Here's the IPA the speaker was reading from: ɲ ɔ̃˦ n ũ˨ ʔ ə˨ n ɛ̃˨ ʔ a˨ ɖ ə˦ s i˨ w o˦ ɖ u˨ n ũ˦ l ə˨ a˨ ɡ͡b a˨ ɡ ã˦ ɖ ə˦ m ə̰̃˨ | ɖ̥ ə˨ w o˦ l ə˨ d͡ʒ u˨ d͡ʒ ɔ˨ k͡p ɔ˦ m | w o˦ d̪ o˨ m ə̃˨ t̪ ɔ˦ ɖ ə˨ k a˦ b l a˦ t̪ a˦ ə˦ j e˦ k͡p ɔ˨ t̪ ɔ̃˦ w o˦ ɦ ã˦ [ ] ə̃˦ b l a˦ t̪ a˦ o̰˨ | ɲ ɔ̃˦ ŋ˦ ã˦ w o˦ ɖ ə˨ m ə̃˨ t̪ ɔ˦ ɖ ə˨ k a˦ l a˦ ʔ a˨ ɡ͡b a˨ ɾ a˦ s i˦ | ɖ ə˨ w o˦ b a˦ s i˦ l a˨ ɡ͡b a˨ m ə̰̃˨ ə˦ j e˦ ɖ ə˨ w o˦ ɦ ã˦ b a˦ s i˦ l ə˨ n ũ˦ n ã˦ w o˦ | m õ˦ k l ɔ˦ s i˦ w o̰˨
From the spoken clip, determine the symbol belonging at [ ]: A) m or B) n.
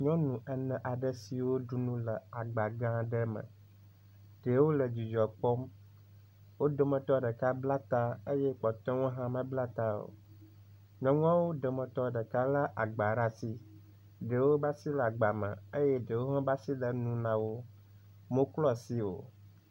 A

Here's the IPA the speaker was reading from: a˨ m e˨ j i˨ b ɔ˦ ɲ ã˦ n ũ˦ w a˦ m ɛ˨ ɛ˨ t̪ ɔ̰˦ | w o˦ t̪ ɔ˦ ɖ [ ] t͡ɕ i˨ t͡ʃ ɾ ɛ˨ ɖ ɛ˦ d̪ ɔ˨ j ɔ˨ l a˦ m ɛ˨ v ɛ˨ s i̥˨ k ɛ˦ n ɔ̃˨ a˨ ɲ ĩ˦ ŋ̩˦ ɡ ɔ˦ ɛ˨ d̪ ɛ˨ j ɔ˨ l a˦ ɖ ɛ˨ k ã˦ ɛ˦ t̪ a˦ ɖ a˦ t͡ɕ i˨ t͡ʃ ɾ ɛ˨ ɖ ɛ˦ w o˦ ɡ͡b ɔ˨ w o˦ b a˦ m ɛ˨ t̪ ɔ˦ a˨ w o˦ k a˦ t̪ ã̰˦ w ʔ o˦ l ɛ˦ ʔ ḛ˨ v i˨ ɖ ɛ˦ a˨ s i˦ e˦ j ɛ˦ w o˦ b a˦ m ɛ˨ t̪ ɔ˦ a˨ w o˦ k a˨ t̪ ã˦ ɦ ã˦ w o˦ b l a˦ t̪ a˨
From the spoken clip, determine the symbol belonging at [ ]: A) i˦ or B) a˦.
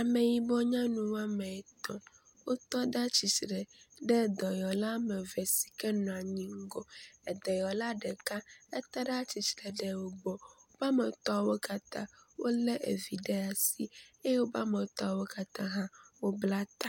B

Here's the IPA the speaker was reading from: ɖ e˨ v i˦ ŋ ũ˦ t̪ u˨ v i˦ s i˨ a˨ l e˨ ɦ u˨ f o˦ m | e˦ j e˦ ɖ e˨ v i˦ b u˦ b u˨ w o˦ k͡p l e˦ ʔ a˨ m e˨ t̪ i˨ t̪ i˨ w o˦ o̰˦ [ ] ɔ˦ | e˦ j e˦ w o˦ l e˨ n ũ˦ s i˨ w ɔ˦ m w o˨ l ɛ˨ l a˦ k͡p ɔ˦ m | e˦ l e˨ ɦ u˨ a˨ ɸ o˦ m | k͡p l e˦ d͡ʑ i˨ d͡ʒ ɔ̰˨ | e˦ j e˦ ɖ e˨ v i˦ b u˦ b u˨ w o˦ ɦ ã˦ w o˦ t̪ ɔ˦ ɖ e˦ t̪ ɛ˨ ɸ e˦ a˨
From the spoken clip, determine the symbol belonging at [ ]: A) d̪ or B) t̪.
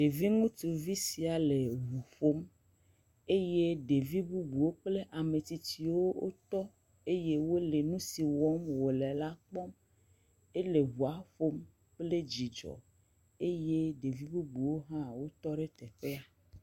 B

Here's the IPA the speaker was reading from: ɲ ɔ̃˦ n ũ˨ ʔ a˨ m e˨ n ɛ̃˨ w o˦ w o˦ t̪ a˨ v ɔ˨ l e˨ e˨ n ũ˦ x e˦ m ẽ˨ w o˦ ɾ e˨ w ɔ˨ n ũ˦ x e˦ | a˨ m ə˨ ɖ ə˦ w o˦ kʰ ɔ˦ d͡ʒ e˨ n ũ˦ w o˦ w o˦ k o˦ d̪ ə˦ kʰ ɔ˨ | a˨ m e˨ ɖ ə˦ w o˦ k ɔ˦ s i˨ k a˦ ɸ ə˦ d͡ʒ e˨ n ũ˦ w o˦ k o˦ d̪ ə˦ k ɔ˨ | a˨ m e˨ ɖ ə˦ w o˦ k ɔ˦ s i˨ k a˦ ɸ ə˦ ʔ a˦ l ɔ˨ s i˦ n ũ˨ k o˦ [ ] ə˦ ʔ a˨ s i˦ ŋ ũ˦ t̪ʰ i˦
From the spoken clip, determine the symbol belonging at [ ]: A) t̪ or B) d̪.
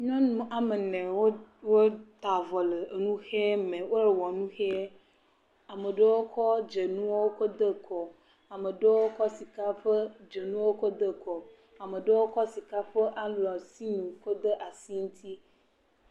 B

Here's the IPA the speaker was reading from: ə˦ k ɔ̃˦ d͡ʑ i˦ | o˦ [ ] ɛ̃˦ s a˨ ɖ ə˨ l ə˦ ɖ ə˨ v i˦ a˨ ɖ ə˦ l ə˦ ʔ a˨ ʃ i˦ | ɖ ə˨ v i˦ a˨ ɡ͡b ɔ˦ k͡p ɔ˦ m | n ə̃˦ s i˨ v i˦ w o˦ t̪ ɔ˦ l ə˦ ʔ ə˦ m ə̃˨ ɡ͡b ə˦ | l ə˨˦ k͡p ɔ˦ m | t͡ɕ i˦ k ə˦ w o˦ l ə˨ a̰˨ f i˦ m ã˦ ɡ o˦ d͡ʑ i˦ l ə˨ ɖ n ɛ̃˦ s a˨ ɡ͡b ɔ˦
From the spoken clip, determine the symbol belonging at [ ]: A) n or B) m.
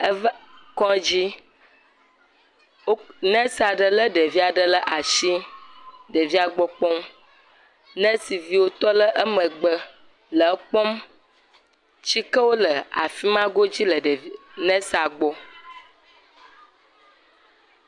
A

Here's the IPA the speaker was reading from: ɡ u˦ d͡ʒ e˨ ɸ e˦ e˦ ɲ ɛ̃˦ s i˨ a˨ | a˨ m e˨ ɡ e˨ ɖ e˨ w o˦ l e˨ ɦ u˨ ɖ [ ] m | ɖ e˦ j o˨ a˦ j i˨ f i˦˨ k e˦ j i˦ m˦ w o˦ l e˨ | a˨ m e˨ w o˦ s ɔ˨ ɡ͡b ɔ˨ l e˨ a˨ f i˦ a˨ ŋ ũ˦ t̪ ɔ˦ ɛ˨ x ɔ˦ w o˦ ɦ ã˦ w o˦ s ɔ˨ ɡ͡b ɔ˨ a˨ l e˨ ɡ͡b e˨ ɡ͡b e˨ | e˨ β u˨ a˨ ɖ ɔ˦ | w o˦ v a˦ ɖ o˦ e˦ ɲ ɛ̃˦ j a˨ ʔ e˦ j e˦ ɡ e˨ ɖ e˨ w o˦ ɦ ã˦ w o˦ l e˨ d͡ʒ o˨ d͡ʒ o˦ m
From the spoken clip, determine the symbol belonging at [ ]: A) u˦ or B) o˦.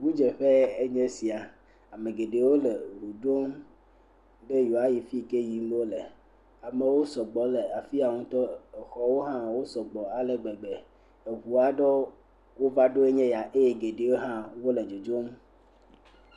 B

